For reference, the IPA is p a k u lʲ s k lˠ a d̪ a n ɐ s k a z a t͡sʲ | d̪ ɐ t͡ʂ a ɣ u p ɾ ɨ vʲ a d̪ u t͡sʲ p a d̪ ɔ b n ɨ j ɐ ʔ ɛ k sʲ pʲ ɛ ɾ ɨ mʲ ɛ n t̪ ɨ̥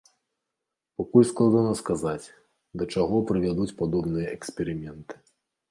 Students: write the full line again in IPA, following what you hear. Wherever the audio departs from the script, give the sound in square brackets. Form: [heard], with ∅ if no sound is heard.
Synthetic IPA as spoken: p a k u lʲ s k lˠ a d̪ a n ɐ s k a z a t͡sʲ | d̪ ɐ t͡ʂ a ɣ [ɔ] p ɾ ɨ vʲ a d̪ u t͡sʲ p a d̪ ɔ b n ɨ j ɐ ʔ ɛ k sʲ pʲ ɛ ɾ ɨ mʲ ɛ n t̪ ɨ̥